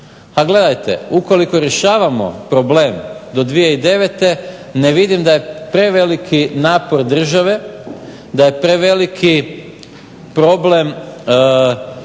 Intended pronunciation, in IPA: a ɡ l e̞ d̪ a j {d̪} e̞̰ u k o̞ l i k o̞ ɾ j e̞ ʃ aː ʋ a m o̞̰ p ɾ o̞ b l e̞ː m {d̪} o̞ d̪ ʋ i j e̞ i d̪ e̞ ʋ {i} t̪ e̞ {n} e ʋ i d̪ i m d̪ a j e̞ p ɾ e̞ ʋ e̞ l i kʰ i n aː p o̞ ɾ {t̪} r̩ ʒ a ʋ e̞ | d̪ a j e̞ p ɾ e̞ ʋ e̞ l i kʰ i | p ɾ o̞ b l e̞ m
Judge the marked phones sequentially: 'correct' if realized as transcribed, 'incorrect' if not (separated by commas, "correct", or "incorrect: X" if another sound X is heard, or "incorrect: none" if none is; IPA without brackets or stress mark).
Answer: incorrect: t̪, correct, incorrect: e, correct, incorrect: d̪